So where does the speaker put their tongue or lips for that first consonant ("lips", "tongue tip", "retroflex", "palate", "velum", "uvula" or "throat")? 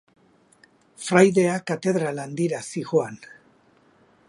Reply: lips